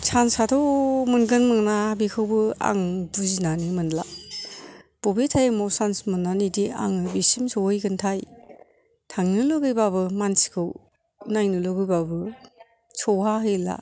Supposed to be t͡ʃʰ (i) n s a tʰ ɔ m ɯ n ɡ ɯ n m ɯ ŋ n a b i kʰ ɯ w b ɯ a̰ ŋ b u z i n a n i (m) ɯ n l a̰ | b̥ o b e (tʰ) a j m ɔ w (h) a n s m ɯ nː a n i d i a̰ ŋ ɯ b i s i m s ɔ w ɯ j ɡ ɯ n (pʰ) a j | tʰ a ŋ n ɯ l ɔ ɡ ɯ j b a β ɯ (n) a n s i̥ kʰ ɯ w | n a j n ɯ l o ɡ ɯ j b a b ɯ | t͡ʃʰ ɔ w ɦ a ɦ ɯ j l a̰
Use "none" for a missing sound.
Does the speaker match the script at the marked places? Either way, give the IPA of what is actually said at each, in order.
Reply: a, m, tʰ, s, tʰ, m

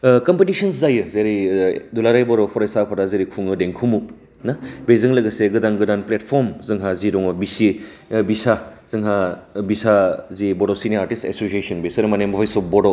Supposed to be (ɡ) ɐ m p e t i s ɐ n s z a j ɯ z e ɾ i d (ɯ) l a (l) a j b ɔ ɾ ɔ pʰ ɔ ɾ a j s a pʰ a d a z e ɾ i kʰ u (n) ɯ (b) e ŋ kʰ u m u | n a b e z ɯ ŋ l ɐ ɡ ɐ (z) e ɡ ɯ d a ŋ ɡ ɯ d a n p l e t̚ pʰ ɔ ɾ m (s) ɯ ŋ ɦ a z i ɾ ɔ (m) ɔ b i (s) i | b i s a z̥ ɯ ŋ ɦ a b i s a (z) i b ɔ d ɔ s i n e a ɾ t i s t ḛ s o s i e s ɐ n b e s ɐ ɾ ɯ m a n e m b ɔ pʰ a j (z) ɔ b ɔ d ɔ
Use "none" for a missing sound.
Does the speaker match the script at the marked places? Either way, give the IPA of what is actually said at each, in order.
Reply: k, u, ɾ, ŋ, d, s, z, ŋ, s, z, s

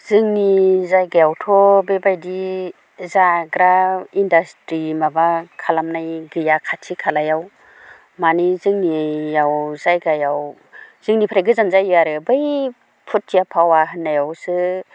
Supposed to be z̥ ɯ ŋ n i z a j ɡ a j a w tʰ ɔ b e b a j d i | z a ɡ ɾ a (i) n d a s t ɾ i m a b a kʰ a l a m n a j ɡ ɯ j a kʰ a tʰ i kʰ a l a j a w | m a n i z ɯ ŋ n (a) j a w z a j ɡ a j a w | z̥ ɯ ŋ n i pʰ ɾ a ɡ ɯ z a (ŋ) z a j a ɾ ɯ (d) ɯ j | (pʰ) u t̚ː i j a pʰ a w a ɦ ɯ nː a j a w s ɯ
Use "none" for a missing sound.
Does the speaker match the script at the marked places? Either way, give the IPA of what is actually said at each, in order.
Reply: i, i, n, b, pʰ

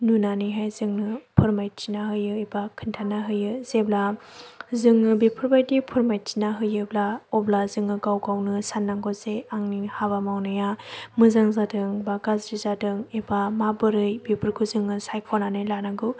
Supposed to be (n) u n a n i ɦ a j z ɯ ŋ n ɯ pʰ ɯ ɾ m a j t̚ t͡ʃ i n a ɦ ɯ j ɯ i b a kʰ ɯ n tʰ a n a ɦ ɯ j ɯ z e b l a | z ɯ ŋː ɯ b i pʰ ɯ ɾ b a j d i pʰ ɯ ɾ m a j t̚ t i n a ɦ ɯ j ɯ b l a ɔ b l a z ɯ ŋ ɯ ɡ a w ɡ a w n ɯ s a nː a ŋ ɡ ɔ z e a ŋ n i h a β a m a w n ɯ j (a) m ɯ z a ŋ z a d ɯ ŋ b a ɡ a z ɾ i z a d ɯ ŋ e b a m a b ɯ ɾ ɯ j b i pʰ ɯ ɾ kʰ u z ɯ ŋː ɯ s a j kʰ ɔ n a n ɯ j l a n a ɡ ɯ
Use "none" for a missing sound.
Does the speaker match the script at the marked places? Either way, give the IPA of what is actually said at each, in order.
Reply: n, a

